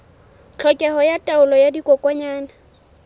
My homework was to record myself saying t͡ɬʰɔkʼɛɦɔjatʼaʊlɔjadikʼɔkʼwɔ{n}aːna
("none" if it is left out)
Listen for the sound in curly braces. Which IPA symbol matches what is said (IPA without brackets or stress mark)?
ɲ